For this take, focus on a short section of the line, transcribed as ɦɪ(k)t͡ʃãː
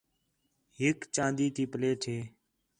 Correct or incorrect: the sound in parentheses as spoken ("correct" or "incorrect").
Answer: correct